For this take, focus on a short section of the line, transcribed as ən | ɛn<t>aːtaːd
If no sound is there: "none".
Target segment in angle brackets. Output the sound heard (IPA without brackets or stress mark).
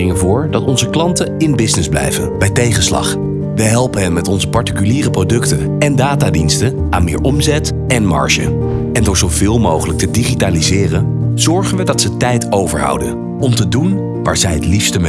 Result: d